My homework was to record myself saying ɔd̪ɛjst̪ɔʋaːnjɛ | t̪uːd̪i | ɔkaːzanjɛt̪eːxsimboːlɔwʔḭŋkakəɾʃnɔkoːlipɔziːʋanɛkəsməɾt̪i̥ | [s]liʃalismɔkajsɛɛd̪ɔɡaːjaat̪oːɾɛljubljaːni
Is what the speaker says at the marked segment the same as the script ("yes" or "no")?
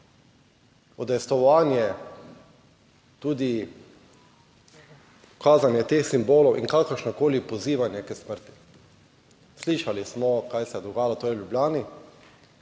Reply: yes